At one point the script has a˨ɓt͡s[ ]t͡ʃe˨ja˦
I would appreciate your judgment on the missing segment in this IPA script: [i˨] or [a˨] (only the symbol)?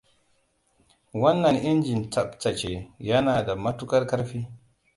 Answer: a˨